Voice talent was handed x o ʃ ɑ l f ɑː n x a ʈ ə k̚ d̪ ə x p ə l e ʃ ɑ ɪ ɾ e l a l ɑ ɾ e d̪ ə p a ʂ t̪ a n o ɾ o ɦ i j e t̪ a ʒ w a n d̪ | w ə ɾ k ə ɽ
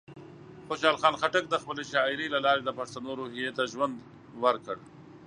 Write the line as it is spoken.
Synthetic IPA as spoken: x o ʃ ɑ l x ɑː n x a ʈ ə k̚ d̪ ə x p ə l e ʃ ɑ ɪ ɾ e l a l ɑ ɾ e d̪ ə p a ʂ t̪ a n o ɾ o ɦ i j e t̪ a ʒ w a n d̪ | w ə ɾ k ə ɽ